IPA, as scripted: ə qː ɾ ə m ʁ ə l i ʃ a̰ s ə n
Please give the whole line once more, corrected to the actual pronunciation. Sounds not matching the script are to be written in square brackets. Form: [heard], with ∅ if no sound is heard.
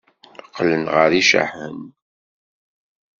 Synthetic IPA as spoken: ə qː [l] ə [n] ʁ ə [ɾ] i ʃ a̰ [ħ] ə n